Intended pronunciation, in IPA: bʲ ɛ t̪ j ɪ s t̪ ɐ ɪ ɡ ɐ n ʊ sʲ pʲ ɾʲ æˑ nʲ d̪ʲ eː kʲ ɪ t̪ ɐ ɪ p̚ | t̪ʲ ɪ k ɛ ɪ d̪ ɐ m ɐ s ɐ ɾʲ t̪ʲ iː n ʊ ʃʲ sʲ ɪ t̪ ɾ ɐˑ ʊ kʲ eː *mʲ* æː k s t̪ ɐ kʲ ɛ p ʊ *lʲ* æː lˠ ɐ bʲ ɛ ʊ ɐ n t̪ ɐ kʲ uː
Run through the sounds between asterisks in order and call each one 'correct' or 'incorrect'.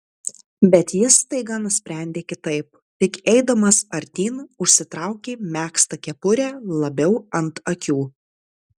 correct, incorrect

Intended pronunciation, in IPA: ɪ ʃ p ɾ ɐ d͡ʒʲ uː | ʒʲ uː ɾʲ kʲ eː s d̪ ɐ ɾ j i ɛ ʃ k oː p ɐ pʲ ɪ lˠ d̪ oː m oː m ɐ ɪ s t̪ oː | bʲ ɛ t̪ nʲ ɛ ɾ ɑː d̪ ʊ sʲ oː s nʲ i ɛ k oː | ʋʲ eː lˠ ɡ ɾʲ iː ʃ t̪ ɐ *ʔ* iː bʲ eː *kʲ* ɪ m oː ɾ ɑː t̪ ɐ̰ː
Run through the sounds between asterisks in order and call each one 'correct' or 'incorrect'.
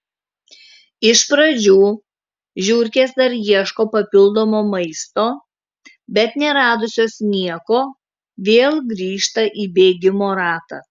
correct, incorrect

